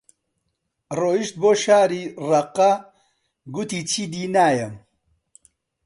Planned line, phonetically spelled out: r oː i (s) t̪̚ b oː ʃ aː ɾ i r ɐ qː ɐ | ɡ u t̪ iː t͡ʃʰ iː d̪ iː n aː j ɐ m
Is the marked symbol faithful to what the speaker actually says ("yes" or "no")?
no